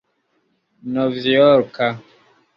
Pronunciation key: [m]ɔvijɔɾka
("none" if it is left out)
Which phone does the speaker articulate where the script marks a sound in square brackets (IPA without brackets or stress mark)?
n